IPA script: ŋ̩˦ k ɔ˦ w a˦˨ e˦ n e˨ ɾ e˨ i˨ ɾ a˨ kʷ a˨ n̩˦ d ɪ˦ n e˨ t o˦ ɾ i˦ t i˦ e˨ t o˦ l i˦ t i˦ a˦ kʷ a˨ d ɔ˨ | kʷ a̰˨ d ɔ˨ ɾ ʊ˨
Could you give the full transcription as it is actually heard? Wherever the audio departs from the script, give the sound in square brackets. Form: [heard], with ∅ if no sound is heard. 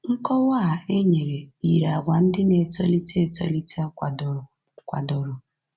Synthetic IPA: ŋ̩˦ k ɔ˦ w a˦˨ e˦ [ɲ] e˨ ɾ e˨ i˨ ɾ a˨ [ɡʷ] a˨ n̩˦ d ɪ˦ n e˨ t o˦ [l] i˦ t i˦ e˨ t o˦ l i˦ t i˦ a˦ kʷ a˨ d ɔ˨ | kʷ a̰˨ d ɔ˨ ɾ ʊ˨